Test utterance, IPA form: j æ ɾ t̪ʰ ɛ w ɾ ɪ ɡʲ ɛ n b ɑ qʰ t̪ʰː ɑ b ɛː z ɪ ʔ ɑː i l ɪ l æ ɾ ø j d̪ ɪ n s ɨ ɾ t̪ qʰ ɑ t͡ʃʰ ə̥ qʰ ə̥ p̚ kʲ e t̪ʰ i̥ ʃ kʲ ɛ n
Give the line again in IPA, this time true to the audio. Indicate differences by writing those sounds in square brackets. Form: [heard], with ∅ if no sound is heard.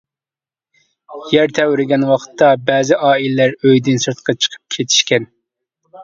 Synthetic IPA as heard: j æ ɾ t̪ʰ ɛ w ɾ ɪ ɡʲ ɛ n [w] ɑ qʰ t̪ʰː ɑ b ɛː z ɪ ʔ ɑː i l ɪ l æ ɾ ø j d̪ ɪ n s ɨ ɾ t̪ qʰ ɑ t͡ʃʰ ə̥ qʰ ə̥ p̚ [kʲʰ] e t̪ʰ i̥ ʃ kʲ ɛ n